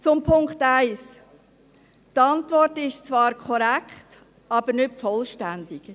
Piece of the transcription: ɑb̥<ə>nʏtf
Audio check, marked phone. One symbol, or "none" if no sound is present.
ə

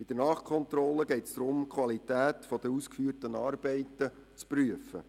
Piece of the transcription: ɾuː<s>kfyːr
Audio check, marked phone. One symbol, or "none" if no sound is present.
s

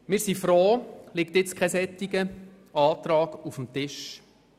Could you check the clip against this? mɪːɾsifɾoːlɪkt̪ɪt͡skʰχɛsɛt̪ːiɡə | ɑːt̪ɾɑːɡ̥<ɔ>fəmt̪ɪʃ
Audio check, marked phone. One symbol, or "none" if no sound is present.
u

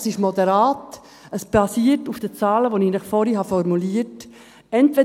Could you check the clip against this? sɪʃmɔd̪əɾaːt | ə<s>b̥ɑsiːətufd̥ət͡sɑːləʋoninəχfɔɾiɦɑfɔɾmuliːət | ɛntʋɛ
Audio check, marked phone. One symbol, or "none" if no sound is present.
s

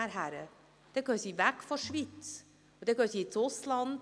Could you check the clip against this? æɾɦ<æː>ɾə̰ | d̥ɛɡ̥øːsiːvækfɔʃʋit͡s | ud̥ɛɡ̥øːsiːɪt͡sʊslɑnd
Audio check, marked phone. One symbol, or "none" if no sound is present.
æ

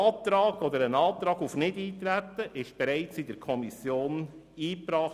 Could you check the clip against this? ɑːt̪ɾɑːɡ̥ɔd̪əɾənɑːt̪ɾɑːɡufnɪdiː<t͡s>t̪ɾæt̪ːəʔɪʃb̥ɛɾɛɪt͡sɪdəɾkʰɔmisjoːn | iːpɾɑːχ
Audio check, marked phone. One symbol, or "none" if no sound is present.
none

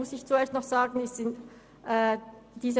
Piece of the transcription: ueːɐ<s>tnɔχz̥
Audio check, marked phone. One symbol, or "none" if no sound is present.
s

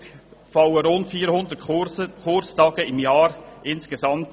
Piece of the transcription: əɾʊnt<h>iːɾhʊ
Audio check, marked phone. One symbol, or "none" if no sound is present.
f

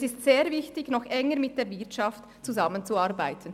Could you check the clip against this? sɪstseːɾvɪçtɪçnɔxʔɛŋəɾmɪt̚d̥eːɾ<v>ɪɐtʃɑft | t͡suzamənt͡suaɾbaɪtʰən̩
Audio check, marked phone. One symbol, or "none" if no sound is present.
v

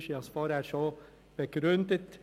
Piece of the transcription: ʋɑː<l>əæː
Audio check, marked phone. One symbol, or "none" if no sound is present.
ɾ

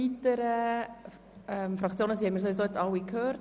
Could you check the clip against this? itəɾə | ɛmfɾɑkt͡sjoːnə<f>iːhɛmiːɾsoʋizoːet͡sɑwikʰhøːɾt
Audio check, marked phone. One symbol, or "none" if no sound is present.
s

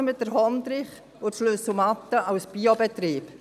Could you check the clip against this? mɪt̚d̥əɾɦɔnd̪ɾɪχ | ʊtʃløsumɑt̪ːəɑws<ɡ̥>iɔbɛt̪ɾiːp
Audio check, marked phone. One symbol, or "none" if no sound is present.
b̥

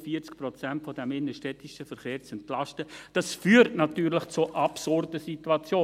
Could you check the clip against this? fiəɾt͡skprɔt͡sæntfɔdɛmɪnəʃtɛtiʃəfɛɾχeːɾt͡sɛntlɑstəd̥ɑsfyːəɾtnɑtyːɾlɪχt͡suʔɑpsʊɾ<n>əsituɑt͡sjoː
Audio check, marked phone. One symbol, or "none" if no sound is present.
d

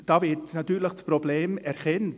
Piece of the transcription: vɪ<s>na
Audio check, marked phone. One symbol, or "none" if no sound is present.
t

